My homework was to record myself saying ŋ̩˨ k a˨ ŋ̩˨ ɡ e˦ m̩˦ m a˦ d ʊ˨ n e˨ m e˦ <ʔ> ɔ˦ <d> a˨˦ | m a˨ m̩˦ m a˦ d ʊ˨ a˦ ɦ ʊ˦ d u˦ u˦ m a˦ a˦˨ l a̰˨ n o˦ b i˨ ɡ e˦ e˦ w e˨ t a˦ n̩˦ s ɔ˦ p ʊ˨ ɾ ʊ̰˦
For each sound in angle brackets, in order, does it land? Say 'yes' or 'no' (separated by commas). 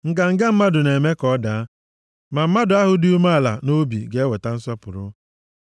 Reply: no, yes